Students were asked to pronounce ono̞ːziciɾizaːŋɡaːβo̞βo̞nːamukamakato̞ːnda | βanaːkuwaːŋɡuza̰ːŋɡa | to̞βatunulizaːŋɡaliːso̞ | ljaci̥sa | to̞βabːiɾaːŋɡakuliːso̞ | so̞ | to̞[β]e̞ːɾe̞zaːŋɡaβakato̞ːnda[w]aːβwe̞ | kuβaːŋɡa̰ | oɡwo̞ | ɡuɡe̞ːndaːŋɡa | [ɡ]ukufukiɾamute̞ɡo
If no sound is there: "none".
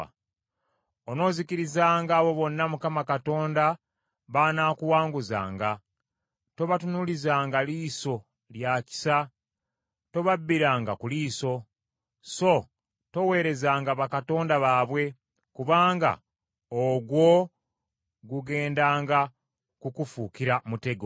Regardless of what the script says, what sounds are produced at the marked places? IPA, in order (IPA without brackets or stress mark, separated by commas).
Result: w, β, k